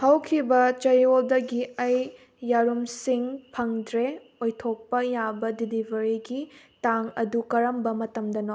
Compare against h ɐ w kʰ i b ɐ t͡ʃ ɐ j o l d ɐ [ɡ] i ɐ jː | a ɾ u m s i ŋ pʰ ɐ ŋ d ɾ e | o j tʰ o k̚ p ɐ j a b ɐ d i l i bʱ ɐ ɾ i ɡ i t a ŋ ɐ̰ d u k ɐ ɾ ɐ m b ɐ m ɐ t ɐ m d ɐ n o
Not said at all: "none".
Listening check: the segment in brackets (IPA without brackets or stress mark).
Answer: ɡ